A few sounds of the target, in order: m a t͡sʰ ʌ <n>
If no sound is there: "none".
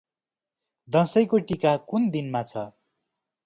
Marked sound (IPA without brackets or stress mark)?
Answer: none